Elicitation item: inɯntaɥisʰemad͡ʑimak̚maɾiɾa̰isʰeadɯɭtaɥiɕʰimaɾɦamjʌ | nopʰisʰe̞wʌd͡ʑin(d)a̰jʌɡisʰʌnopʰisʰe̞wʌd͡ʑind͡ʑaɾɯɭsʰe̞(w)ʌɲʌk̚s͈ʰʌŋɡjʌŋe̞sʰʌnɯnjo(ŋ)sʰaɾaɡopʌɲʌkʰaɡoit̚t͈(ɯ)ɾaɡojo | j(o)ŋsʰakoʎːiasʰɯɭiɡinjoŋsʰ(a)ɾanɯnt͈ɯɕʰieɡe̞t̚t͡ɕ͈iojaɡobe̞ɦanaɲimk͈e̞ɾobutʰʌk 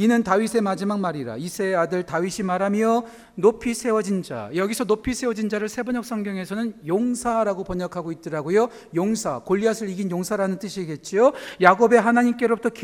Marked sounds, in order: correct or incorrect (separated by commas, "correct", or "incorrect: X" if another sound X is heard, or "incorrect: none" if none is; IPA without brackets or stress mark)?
incorrect: d͡ʑ, incorrect: b, correct, correct, correct, correct